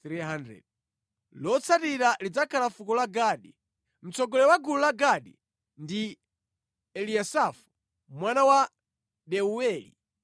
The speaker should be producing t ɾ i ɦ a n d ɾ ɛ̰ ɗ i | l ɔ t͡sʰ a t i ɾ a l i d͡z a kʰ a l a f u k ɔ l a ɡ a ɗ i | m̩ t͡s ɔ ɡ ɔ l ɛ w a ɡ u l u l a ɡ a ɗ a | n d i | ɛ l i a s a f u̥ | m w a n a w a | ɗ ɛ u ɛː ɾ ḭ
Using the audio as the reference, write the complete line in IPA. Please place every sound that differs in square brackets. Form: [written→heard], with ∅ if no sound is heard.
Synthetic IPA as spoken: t ɾ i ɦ a n d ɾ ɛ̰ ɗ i | l ɔ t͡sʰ a t i ɾ a l i d͡z a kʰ a l a f u k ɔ l a ɡ a ɗ i | m̩ t͡s ɔ ɡ ɔ l ɛ w a ɡ u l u l a ɡ a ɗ [a→i] | n d i | ɛ l i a s a f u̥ | m w a n a w a | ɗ ɛ u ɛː [ɾ→l] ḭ